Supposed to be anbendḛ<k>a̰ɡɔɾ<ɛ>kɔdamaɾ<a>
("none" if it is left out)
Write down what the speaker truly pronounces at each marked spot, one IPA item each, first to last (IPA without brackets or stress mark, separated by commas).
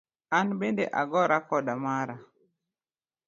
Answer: ʔ, a, a